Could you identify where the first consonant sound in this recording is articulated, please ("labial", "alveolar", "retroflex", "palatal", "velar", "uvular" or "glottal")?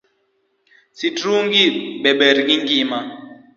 alveolar